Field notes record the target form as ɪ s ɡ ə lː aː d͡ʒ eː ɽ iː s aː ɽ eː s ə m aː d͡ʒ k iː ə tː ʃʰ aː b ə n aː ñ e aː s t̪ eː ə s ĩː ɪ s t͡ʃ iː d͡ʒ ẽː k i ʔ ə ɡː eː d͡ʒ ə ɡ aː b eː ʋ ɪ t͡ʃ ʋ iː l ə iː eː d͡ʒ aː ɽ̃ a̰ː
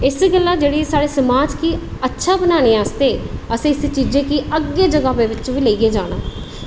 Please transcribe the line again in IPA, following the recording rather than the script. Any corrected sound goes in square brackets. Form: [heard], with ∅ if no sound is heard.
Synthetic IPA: ɪ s ɡ ə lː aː d͡ʒ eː ɽ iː s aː ɽ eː s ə m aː d͡ʒ k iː ə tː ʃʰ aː b ə n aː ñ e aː s t̪ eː ə s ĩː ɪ s t͡ʃ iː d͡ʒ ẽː k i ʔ ə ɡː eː d͡ʒ ə ɡ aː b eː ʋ ɪ t͡ʃ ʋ iː l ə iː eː d͡ʒ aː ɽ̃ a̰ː